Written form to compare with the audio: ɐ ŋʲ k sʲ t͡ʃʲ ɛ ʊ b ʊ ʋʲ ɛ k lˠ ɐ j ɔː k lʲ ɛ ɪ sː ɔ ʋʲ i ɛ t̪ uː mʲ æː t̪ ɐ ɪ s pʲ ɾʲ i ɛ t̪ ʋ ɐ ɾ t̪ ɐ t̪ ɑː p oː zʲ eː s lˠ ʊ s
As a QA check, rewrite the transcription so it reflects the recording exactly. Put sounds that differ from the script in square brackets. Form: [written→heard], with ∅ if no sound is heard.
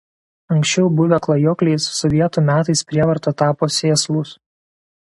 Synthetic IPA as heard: ɐ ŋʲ k sʲ t͡ʃʲ ɛ ʊ b ʊ ʋʲ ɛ k lˠ ɐ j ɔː k lʲ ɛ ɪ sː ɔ ʋʲ i ɛ t̪ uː mʲ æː t̪ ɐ ɪ s pʲ ɾʲ i ɛ [t̪→∅] ʋ ɐ ɾ t̪ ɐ t̪ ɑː p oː [zʲ→sʲ] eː s lˠ ʊ s